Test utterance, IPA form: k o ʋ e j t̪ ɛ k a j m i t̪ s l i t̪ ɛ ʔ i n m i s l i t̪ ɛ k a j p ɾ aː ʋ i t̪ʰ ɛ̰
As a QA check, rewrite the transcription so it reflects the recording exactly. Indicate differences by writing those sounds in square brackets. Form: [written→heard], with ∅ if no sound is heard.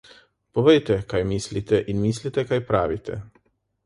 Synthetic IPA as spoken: [k→p] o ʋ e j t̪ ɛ k a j m i [t̪→∅] s l i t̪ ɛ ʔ i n m i s l i t̪ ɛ k a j p ɾ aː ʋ i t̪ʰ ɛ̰